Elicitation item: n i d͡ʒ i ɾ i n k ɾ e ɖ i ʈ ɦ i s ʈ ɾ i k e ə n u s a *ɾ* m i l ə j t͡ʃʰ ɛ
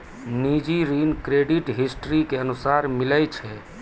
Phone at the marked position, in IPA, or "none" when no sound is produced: ɾ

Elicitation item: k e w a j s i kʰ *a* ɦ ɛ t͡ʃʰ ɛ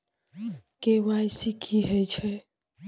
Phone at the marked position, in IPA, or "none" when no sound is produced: i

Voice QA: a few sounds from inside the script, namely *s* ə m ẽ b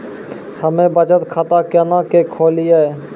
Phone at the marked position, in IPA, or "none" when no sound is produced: h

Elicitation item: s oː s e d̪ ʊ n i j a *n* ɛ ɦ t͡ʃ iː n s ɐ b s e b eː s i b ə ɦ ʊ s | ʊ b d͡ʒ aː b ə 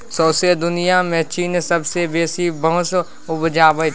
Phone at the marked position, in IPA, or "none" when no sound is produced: m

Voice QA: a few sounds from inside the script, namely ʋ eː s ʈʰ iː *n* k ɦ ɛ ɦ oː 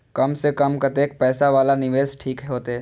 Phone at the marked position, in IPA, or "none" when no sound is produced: none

